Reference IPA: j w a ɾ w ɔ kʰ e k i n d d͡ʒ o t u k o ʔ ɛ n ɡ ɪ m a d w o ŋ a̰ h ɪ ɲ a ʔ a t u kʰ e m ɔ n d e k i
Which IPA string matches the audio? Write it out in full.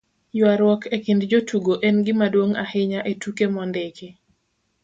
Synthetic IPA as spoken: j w a ɾ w ɔ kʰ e k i n d d͡ʒ o t u ɡ o ʔ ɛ n ɡ ɪ m a d w o ŋ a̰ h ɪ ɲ a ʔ e t u k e m ɔ n d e k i

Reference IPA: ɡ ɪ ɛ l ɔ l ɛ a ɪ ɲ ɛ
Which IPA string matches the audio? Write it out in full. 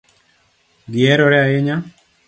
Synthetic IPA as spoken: ɡ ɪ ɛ ɾ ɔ ɾ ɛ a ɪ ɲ a

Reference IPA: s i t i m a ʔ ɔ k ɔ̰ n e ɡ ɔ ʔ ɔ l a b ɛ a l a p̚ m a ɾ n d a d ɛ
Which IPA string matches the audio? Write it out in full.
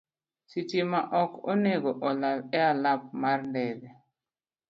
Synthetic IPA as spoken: s i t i m a ʔ ɔ k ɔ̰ n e ɡ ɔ ʔ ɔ l a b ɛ a l a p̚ m a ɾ n d ɛ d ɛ

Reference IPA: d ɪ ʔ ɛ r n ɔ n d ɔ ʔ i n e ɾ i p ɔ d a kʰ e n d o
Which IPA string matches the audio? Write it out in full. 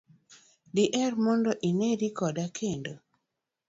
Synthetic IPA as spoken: d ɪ ʔ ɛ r m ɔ n d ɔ ʔ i n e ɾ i k ɔ d a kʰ e n d o

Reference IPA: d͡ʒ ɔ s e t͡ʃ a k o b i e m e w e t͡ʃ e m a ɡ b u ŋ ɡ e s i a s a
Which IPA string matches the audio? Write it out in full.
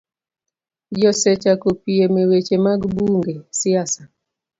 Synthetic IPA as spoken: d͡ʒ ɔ s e t͡ʃ a k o p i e m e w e t͡ʃ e m a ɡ b u ŋ ɡ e s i a s a

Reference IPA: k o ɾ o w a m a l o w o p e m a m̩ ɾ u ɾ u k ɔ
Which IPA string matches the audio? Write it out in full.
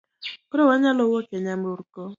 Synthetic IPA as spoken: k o ɾ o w a ɲ a l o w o k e ɲ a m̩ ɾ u ɾ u k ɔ

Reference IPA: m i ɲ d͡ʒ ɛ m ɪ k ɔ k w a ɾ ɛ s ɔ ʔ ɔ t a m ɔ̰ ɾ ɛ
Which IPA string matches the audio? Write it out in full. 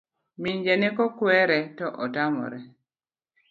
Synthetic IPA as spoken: m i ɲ d͡ʒ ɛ n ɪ k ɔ k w ɛ ɾ ɛ t ɔ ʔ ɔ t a m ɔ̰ ɾ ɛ

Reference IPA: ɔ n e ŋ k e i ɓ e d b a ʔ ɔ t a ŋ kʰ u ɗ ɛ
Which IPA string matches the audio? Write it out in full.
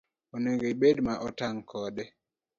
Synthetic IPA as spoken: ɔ n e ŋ ɡ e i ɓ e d m a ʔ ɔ t a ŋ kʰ ɔ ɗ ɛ

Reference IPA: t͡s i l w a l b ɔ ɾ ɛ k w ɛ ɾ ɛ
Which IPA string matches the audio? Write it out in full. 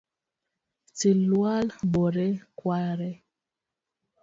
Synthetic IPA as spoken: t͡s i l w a l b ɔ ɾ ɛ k w a ɾ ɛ

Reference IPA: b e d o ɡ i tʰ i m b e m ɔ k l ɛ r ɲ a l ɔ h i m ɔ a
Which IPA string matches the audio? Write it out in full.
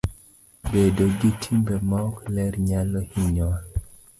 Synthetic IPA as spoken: b e d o ɡ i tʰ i m b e m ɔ k l ɛ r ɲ a l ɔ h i ɲ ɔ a

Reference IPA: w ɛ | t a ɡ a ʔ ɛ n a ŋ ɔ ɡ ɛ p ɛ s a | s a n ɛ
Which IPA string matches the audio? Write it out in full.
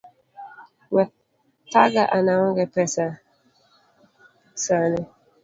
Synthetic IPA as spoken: w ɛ | t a ɡ a ʔ a n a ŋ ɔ ɡ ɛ p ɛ s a | s a n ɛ

